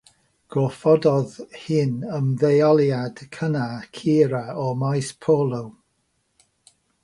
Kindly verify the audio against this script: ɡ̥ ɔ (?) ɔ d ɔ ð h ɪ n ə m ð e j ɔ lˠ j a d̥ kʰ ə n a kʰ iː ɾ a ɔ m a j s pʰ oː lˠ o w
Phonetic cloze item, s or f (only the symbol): f